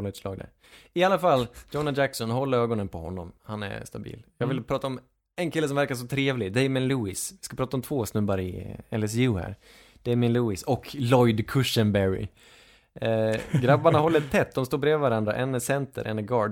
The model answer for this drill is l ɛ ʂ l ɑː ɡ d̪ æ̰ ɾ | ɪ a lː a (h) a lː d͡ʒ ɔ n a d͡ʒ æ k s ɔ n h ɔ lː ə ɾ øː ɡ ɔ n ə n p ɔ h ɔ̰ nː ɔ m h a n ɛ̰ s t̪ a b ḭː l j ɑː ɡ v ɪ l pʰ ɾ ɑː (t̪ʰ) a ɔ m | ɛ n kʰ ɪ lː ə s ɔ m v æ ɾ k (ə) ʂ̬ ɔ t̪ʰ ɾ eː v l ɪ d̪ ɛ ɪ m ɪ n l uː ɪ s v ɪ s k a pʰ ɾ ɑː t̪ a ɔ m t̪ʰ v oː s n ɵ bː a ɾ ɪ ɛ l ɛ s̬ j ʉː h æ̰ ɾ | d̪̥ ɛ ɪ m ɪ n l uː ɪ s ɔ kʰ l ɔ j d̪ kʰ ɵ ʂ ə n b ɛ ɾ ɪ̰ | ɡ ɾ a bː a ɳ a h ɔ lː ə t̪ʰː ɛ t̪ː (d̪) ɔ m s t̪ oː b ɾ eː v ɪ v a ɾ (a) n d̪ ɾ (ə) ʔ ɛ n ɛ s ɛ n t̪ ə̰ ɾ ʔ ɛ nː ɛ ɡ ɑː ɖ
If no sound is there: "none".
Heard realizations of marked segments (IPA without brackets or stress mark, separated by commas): f, t̪, a, d̪, a, a